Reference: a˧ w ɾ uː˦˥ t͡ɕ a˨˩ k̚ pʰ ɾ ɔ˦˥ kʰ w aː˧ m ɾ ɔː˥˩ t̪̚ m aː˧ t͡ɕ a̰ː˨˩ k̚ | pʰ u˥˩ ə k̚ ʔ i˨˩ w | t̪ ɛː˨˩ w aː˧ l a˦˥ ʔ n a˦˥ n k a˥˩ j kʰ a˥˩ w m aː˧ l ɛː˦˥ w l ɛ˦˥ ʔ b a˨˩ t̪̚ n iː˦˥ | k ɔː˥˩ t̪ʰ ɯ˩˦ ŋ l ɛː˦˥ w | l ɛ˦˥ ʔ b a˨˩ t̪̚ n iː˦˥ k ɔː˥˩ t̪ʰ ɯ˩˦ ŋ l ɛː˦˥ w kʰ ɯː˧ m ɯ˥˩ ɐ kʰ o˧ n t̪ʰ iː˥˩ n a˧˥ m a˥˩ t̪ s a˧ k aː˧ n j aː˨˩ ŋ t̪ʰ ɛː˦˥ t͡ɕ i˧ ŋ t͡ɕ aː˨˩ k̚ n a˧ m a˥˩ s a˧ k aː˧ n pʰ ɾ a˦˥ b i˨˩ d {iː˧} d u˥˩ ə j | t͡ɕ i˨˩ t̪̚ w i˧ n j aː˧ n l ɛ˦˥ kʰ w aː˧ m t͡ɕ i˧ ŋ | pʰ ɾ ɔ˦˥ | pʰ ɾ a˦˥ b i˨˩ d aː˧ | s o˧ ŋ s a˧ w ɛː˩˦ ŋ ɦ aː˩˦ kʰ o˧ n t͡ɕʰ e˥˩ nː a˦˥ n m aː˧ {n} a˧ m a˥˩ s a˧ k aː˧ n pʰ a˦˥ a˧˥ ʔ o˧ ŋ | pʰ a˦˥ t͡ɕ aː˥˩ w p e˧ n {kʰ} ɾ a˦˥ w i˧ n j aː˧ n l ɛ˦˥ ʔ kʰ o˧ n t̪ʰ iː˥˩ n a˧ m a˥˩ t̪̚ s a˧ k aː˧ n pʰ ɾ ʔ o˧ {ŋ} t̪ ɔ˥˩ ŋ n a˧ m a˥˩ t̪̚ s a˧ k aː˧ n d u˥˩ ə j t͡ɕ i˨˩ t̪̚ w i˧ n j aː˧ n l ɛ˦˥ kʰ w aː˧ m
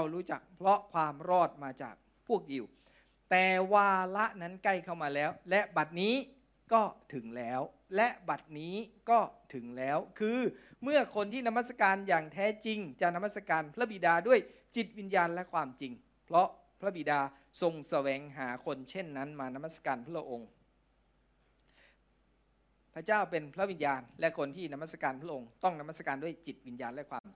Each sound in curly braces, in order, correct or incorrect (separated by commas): incorrect, correct, incorrect, correct